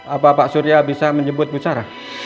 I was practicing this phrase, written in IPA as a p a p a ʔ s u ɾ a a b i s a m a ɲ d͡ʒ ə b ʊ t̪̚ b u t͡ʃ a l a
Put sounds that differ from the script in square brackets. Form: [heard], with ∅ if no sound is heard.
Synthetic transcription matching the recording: a p a p a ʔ s u ɾ [i] a b i s a m [ə] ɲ d͡ʒ ə b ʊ t̪̚ b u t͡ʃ a [ɾ] a